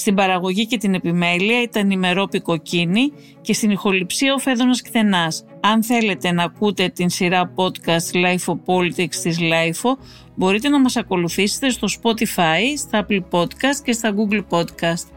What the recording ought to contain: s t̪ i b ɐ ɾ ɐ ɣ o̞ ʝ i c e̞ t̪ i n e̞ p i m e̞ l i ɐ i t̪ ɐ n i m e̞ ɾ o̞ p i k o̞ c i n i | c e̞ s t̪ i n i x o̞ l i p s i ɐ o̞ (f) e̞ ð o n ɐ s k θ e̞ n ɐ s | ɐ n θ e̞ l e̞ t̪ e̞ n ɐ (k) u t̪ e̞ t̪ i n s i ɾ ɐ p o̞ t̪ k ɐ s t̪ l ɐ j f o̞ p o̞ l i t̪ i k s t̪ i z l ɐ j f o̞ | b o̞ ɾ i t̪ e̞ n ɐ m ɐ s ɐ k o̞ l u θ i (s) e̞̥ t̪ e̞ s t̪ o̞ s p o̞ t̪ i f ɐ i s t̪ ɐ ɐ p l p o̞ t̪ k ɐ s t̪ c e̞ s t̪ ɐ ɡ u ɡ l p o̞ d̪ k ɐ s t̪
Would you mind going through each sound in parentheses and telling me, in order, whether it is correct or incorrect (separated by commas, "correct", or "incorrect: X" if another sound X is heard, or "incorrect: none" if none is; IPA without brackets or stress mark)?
correct, correct, correct